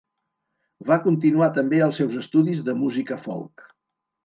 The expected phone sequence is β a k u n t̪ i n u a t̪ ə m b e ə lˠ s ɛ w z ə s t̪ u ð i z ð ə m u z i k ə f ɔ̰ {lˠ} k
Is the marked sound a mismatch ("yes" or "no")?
no